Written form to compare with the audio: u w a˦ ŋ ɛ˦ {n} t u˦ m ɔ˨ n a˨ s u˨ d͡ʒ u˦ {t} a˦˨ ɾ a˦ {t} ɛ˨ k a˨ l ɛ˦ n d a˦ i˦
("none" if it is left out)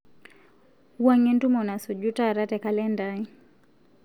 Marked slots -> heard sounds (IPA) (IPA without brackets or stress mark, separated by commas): n, t, t